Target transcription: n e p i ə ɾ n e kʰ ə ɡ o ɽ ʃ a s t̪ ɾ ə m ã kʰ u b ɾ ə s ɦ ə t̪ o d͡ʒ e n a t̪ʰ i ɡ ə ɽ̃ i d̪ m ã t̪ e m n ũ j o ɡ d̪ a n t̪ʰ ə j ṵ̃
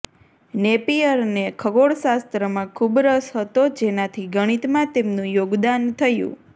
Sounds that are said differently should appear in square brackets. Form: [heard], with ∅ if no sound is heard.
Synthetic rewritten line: n e p i ə ɾ n e kʰ ə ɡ o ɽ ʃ a s t̪ ɾ ə m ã kʰ u b ɾ ə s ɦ ə t̪ o d͡ʒ e n a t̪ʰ i ɡ ə ɽ̃ i [t̪] m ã t̪ e m n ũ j o ɡ d̪ a n t̪ʰ ə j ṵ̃